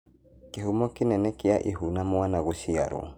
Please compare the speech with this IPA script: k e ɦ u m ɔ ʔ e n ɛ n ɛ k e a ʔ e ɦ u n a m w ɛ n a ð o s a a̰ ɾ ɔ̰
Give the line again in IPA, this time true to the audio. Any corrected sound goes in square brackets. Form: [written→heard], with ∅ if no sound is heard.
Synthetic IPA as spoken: k e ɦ u m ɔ [ʔ→k] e n ɛ n ɛ k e a ʔ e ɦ u n a m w [ɛ→a] n a [ð→ɣ] o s [a→i] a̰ ɾ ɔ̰